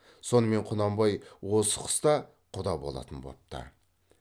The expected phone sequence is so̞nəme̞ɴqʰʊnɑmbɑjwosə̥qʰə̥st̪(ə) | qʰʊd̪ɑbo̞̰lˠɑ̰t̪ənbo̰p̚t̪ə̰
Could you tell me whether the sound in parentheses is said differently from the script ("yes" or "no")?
yes